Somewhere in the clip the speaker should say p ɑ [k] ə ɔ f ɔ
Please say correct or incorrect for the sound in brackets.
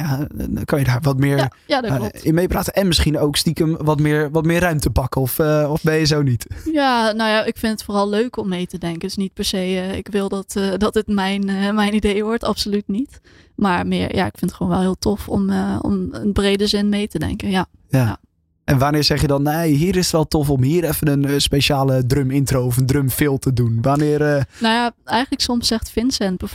correct